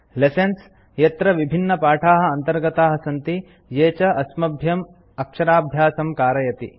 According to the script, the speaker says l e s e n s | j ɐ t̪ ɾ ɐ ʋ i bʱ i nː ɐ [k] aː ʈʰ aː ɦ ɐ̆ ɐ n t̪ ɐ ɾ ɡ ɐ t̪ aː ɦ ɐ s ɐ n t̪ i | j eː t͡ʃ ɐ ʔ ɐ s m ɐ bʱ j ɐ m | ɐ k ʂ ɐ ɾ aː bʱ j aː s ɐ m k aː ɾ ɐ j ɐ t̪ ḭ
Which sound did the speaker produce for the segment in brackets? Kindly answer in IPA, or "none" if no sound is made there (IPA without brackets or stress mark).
p